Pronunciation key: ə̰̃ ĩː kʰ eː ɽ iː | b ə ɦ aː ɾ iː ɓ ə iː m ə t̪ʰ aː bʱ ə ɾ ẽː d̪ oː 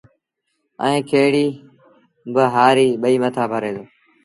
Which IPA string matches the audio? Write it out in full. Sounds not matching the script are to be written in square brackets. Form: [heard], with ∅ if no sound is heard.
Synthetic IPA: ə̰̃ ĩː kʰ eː ɽ iː | b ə ɦ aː ɾ iː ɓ ə iː m ə t̪ʰ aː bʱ ə ɾ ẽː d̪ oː